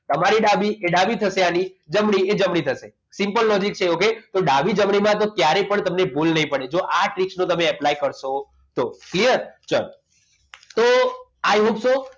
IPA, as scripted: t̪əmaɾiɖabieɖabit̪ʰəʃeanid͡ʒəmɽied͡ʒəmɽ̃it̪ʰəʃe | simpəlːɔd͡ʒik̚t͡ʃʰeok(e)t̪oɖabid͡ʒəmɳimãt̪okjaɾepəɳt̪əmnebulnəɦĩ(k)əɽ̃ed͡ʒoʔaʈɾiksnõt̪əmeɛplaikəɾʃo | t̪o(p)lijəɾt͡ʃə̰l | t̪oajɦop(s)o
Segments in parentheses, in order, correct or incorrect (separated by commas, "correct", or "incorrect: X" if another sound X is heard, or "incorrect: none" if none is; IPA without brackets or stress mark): correct, incorrect: p, incorrect: k, correct